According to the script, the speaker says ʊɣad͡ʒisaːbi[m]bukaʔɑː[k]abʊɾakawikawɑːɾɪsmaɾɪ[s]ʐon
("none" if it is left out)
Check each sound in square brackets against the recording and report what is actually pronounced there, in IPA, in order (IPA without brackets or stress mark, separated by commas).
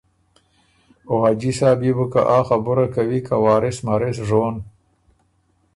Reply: none, x, s